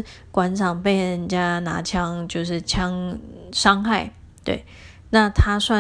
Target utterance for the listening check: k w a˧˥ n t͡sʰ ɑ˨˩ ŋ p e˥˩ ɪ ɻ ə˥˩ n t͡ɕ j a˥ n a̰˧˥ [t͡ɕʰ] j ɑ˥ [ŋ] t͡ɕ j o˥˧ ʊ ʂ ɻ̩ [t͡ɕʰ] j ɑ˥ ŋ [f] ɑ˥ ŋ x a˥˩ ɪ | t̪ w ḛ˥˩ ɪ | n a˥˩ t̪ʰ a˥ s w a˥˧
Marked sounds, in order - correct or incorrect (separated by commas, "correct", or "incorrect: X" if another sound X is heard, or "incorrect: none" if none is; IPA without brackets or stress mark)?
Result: correct, correct, correct, incorrect: ʂ